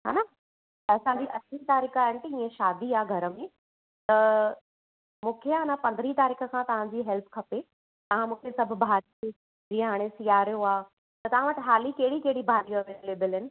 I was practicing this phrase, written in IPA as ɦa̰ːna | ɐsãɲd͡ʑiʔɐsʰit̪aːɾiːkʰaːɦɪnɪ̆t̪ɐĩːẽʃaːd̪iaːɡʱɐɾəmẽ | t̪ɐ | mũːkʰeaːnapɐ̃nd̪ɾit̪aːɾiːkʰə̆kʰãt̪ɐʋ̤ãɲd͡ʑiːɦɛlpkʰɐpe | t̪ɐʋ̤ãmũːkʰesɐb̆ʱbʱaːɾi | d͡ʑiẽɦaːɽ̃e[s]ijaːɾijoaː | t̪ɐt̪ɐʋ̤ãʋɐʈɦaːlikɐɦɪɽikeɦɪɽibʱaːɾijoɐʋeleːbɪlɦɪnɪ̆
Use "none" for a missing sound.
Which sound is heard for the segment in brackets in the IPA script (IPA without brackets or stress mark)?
s